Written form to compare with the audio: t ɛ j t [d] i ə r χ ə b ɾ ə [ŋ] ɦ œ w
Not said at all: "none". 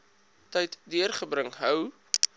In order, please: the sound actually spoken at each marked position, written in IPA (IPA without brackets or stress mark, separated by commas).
d, ŋ